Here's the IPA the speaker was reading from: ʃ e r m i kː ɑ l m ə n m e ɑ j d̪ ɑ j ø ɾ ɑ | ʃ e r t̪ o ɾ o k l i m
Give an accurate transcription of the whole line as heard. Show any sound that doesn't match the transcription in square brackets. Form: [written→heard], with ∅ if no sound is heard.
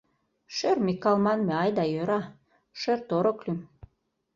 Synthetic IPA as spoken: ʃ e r m i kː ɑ l m [ə→ɑ] n m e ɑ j d̪ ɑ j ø ɾ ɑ | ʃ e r t̪ o ɾ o k l [i→y] m